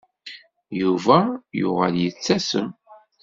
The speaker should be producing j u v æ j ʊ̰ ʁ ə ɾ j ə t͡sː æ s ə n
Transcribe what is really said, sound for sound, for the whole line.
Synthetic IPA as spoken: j u v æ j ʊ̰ ʁ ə l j ə t͡sː æ s ə m